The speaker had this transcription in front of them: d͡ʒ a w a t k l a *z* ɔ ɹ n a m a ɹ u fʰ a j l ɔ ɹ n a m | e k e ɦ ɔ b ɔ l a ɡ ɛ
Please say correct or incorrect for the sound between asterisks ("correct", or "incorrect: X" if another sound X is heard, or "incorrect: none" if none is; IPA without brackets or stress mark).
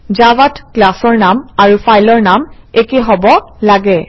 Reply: incorrect: s